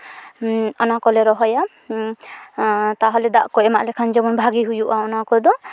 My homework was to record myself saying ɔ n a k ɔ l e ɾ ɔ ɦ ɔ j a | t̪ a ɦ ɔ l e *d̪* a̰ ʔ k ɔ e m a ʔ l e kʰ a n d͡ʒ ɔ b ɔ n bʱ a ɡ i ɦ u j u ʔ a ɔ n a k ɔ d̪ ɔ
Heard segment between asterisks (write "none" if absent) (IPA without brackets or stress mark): d̪